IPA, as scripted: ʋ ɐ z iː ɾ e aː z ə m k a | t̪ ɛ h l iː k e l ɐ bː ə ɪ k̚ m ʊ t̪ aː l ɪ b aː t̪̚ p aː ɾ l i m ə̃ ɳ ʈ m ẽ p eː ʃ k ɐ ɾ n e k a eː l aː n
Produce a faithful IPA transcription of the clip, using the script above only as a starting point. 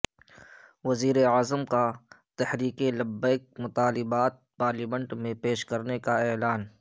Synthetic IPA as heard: ʋ ɐ z iː ɾ e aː z ə m k a | t̪ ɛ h ɾ iː k e l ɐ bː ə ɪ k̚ m ʊ t̪ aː l ɪ b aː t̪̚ p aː ɾ l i m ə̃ ɳ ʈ m ẽ p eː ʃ k ɐ ɾ n e k a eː l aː n